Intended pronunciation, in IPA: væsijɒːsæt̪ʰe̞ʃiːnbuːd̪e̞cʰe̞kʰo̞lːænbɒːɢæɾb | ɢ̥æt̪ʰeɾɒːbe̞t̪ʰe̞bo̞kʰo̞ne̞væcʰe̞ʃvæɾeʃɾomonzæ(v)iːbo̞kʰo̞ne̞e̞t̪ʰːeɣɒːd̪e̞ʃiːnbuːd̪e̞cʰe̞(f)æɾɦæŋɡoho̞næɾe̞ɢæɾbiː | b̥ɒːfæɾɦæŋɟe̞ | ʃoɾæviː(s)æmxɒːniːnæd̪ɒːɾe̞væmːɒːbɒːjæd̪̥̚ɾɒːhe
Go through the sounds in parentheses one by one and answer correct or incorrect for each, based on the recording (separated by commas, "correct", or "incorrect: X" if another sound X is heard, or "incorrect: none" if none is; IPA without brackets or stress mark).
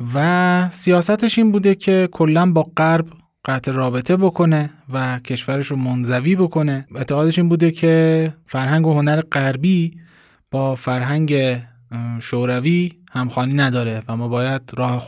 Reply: correct, correct, incorrect: h